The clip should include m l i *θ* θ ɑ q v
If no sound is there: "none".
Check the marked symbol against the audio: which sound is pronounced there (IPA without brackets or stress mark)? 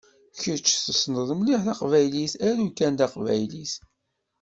ħ